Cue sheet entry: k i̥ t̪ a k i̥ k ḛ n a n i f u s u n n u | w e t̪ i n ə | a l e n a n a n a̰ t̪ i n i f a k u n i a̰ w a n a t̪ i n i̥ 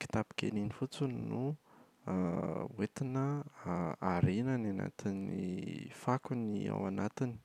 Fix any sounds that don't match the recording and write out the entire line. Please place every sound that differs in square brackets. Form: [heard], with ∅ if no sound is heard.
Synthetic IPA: k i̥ t̪ a [p] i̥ k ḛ n [i] n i f u [t͡s] u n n u | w e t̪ i n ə | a [ɾ] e n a n a n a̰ t̪ i n i f a k u n i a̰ w a n a t̪ i n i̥